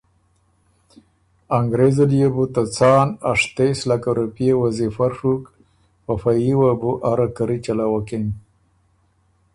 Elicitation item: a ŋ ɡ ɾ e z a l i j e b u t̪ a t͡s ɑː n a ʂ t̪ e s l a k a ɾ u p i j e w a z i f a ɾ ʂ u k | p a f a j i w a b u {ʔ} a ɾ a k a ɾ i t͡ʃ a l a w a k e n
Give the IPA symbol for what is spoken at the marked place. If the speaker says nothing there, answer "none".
ʔ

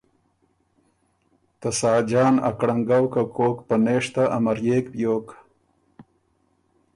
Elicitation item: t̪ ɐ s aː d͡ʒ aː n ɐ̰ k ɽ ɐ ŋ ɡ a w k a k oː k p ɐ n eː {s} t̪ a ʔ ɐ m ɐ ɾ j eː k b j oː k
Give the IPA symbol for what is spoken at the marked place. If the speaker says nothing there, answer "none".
ʂ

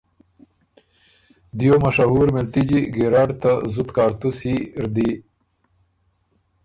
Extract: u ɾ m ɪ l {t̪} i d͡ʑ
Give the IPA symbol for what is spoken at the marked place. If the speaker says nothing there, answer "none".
t̪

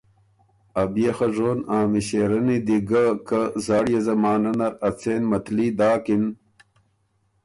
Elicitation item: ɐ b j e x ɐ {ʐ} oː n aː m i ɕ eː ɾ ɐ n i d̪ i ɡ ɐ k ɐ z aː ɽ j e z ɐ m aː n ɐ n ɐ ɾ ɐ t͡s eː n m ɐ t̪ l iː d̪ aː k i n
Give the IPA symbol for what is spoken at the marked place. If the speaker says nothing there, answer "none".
ʐ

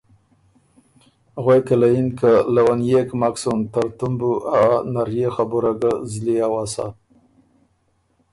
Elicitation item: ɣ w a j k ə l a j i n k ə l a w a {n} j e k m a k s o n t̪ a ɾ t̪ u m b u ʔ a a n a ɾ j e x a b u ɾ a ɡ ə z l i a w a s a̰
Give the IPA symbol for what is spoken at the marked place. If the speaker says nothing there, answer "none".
n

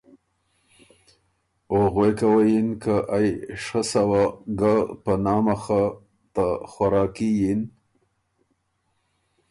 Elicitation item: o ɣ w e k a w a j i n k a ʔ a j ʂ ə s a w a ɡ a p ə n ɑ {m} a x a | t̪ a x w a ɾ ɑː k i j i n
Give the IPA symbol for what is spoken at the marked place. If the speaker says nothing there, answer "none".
m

